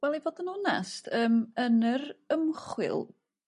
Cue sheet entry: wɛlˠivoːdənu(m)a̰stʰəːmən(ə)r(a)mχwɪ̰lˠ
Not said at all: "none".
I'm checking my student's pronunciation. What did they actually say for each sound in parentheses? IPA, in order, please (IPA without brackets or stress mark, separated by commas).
n, ə, ə